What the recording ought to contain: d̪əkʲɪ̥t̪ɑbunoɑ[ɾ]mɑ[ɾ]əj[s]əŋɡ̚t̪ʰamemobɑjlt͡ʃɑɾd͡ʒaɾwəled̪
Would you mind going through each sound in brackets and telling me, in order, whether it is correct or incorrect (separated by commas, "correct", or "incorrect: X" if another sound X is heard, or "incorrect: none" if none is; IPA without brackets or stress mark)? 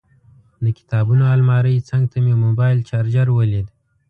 incorrect: l, correct, incorrect: t͡s